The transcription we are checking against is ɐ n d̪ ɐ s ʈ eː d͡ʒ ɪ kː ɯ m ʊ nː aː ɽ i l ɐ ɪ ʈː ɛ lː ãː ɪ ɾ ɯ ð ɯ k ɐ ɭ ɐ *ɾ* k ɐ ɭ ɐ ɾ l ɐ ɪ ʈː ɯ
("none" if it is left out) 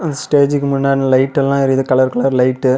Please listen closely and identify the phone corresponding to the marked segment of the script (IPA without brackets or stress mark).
ɾ